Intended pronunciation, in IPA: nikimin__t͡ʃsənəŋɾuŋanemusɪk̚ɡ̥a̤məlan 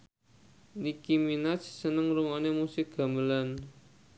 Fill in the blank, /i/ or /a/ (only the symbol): a